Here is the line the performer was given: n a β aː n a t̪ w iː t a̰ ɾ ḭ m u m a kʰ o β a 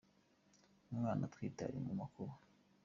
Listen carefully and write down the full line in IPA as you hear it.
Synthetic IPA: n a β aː n a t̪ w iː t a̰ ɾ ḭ m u m a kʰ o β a